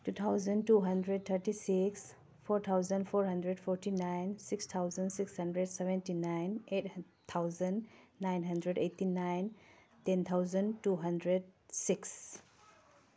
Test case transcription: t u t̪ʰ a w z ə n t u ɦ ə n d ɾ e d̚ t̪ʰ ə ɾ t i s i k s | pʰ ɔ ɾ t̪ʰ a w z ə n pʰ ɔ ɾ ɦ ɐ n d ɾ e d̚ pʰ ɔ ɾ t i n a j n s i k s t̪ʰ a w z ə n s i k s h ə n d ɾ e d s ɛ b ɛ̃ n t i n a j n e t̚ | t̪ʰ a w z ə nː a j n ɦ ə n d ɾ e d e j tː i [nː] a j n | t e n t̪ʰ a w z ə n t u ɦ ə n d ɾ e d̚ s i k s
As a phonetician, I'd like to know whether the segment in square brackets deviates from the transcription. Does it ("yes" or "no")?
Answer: yes